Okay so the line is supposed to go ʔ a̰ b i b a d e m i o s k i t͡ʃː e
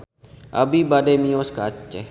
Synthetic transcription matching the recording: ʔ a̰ b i b a d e m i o s k a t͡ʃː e